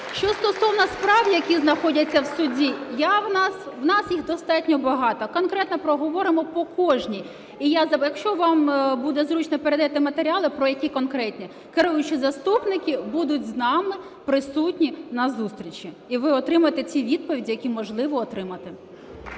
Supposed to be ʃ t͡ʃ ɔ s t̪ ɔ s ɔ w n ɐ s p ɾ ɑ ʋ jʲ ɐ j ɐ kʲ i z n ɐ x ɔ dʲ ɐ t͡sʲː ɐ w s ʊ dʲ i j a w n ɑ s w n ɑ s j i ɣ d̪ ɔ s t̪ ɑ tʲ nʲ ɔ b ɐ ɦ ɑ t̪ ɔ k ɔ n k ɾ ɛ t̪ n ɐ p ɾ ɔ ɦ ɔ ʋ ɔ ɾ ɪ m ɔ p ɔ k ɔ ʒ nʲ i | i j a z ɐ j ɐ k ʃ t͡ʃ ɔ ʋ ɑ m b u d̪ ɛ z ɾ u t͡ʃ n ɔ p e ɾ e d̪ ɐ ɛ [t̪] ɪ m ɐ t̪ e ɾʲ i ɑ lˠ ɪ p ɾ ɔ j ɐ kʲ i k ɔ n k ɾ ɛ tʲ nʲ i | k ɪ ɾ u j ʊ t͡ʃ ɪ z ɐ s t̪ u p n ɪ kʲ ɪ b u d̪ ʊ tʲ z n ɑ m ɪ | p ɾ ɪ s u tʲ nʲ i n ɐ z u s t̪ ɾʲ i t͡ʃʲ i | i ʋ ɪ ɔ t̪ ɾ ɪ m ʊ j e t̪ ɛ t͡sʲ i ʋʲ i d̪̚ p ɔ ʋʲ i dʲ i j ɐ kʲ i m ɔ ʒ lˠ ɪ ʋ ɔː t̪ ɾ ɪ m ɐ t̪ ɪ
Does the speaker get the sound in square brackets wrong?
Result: no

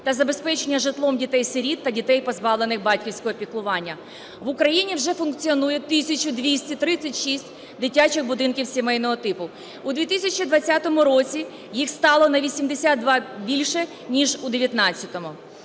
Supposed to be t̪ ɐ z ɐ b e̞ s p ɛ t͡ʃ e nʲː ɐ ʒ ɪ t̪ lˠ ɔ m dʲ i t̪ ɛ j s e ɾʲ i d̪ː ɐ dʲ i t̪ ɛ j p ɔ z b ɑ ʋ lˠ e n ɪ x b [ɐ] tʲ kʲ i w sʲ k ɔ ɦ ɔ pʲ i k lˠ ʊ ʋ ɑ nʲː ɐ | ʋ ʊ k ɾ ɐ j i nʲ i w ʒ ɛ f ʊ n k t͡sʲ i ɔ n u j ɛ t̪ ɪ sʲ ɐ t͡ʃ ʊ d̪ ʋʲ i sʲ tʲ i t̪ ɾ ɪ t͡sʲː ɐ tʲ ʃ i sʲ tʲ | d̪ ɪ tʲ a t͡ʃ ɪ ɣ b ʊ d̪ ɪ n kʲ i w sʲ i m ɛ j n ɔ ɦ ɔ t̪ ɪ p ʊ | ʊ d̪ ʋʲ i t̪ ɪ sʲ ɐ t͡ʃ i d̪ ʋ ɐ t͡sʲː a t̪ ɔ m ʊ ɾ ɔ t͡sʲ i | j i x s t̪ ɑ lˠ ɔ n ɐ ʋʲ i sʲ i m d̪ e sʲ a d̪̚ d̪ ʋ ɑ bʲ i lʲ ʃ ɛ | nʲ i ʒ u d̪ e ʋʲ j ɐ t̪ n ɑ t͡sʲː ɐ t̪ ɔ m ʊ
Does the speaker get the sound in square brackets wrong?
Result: yes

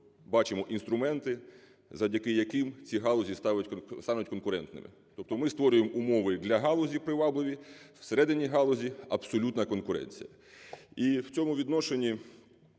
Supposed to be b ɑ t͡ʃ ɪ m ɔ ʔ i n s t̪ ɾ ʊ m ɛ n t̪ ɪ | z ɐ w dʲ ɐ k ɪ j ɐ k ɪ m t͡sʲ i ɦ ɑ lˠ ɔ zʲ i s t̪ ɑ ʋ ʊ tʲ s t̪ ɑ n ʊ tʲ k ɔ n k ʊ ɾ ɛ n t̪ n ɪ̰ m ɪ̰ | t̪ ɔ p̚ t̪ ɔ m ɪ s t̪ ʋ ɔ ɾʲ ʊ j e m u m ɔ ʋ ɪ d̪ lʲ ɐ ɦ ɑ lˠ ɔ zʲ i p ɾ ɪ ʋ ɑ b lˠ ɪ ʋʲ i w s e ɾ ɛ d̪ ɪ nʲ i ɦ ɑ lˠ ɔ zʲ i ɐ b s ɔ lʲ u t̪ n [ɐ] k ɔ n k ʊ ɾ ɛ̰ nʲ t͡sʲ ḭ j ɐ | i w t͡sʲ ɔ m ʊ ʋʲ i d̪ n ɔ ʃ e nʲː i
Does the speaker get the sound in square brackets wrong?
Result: no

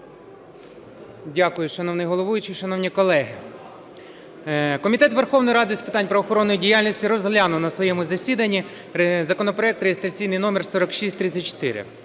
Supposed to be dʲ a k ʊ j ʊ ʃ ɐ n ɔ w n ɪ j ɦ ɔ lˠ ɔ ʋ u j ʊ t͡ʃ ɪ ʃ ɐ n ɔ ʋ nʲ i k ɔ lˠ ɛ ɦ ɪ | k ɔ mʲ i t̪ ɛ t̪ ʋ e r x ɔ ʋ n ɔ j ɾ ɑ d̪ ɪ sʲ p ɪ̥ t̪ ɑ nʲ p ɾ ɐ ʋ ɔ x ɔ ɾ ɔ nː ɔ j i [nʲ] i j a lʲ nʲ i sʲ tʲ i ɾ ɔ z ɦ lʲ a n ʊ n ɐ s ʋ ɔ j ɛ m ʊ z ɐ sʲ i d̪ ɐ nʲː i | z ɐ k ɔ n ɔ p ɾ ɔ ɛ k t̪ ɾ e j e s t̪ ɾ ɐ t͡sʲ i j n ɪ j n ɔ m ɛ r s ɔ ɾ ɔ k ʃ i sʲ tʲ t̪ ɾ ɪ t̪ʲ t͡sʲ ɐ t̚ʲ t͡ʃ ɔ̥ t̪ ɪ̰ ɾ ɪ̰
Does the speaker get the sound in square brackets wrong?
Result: yes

